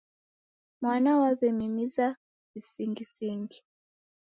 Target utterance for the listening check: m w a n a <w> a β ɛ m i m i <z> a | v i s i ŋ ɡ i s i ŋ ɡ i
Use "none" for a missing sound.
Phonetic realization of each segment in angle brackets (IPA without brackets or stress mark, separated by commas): w, z